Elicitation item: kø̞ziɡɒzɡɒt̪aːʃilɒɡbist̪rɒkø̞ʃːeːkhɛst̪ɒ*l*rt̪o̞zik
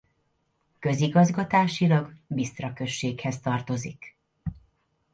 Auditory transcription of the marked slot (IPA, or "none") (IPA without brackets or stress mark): none